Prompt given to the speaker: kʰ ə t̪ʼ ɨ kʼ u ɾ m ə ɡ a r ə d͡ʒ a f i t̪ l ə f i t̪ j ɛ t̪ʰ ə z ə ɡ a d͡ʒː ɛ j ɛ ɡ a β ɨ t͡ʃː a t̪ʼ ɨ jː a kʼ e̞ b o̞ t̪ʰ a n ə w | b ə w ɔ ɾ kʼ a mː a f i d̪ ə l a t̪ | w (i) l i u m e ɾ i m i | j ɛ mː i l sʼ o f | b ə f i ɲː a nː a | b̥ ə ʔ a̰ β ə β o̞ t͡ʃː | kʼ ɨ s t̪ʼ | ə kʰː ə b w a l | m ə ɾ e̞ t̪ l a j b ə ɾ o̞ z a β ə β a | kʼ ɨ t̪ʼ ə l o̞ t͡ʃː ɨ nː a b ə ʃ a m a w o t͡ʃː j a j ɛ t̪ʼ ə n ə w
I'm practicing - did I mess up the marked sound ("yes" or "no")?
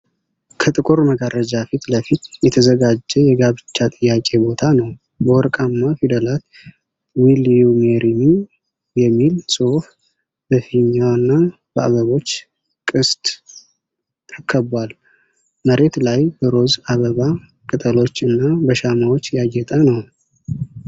no